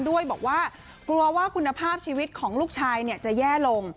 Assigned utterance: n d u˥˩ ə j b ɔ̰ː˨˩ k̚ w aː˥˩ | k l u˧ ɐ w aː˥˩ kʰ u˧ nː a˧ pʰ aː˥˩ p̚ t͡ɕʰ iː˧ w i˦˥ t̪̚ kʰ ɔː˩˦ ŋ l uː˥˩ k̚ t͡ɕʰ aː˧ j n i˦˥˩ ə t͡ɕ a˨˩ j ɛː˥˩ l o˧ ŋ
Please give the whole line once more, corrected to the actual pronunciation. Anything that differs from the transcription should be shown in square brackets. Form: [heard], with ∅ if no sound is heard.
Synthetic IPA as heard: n d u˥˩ ə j b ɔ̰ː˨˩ k̚ w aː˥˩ | k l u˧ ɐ w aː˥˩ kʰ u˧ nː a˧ pʰ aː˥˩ p̚ t͡ɕʰ iː˧ w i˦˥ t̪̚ kʰ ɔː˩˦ ŋ l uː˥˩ k̚ t͡ɕʰ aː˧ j n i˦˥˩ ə t͡ɕ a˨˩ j ɛː˥˩ l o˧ ŋ